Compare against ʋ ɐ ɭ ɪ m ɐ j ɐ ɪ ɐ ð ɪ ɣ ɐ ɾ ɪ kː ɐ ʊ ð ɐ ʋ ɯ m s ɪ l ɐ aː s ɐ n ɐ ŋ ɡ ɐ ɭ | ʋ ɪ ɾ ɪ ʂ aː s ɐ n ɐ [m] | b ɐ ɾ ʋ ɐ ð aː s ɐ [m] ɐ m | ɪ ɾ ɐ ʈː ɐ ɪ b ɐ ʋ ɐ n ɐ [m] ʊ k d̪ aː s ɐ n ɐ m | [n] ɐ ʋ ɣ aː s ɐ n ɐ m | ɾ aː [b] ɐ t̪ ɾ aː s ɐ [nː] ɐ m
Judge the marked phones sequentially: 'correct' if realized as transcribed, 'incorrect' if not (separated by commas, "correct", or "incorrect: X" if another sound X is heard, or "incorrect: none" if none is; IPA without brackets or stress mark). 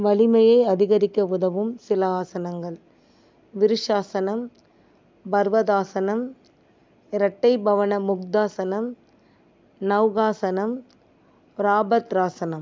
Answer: correct, incorrect: n, correct, correct, correct, incorrect: n